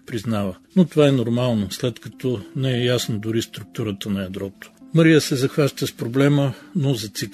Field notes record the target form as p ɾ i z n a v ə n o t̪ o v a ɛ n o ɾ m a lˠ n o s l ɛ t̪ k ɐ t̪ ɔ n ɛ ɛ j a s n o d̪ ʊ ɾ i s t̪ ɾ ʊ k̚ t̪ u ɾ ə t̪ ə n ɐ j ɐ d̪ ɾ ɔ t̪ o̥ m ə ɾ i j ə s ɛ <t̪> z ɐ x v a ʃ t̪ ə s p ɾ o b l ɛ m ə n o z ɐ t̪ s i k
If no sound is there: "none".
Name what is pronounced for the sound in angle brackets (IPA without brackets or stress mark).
none